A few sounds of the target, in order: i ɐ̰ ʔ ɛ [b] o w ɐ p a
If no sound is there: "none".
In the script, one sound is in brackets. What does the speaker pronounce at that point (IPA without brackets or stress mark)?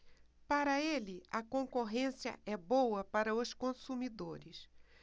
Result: b